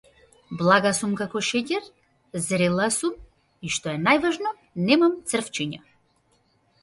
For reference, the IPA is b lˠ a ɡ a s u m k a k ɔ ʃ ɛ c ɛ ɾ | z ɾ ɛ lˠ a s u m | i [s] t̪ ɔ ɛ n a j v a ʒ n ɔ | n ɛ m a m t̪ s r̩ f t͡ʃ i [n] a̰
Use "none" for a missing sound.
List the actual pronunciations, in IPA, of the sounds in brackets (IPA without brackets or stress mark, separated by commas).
ʃ, ɲ